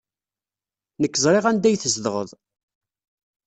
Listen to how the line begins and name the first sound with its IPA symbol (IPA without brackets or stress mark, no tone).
n